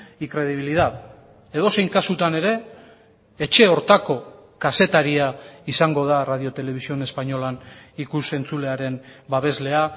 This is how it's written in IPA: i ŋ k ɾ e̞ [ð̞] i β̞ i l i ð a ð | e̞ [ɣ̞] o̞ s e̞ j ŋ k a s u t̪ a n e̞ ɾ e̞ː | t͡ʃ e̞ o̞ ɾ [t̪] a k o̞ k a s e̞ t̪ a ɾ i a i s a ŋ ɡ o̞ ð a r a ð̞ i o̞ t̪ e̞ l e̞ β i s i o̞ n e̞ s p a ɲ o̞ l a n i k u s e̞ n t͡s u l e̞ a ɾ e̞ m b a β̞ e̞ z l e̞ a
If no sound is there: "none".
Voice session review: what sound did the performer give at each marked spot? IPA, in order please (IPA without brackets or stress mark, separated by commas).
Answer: ð̞, ð̞, t̪